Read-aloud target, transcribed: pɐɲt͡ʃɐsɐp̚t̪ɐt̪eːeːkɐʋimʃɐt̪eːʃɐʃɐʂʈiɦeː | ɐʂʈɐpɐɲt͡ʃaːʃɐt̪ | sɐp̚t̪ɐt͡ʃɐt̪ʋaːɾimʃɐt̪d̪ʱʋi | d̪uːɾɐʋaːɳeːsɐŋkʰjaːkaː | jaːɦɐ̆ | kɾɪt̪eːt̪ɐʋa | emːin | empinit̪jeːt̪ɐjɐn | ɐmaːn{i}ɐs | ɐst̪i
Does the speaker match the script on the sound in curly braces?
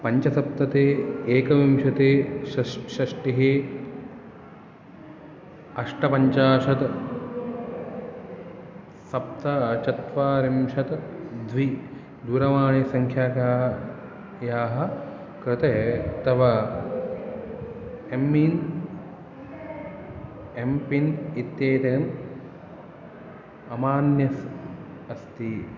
no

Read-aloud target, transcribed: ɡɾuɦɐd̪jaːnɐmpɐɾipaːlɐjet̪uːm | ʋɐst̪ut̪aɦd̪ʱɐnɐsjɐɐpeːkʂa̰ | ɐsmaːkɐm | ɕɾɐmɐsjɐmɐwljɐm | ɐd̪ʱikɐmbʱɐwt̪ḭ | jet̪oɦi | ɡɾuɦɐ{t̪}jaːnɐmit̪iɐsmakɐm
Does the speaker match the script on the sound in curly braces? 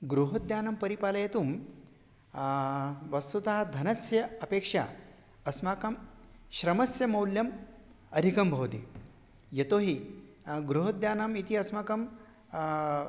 no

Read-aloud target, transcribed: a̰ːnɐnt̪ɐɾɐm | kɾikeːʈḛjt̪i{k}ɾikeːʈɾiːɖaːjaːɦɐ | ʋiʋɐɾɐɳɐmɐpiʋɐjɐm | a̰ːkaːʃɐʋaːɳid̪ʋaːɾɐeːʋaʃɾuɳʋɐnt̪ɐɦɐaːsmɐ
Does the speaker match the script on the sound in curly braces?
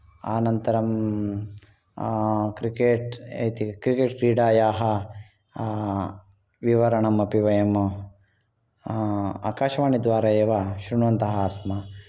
yes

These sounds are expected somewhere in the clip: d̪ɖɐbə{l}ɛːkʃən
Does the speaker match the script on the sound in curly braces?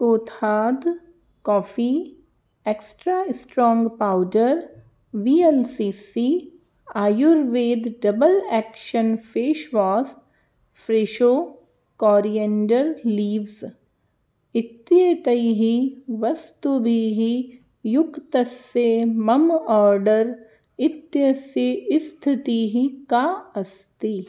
yes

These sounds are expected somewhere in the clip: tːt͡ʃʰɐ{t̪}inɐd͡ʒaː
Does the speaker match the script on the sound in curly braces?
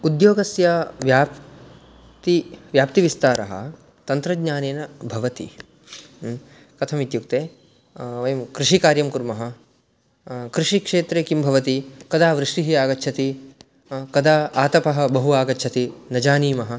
yes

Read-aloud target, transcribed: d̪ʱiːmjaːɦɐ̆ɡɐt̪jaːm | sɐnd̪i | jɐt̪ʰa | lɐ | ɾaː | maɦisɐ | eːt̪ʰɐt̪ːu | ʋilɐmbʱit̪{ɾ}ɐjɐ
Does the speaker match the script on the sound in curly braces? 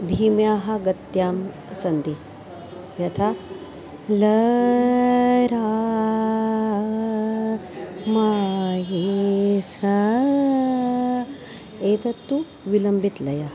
no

